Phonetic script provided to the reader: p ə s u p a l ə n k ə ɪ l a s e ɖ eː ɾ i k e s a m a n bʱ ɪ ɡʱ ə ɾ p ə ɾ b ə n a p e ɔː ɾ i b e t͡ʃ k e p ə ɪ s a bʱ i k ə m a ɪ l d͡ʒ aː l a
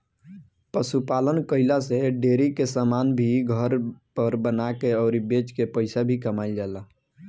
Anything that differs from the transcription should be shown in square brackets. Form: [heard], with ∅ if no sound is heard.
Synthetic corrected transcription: p ə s u p a l ə n k ə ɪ l a s e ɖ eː ɾ i k e s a m a n bʱ [i] ɡʱ ə ɾ p ə ɾ b ə n a [k] e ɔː ɾ i b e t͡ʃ k e p ə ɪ s a bʱ i k ə m a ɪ l d͡ʒ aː l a